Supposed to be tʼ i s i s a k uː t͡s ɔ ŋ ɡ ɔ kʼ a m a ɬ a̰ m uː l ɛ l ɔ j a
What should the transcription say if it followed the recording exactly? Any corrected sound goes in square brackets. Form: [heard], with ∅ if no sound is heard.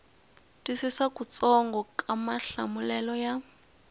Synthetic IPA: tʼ i s i s a k [u] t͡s ɔ ŋ ɡ ɔ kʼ a m a ɬ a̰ m [u] l ɛ l ɔ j a